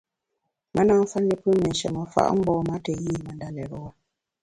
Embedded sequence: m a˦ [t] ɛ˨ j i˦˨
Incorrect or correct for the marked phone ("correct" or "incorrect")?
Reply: correct